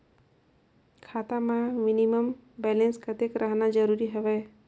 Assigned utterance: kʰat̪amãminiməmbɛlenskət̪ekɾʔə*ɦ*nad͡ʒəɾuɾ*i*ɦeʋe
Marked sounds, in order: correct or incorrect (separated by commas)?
correct, correct